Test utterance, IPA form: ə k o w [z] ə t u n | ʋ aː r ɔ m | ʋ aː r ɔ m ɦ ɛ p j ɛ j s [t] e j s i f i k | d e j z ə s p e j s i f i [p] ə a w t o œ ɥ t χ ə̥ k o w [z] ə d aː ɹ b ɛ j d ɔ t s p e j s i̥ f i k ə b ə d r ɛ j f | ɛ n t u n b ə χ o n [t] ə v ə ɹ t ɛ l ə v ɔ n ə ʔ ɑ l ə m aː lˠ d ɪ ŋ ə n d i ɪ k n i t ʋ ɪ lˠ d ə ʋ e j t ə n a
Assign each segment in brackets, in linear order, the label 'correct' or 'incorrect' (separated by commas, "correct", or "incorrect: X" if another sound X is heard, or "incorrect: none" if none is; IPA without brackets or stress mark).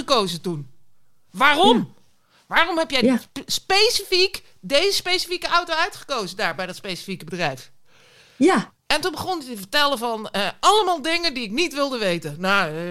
correct, incorrect: p, incorrect: k, correct, correct